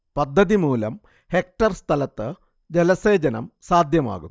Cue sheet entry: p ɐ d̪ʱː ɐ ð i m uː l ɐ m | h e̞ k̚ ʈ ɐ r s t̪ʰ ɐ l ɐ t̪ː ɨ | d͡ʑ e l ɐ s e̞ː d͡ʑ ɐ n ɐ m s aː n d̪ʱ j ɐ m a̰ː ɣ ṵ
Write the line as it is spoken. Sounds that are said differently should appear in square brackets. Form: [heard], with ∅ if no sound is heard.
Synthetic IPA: p ɐ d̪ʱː ɐ ð i m uː l ɐ m | h e̞ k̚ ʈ ɐ r s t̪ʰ ɐ l ɐ t̪ː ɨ | d͡ʑ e l ɐ s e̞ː d͡ʑ ɐ n ɐ m s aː [∅] d̪ʱ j ɐ m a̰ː ɣ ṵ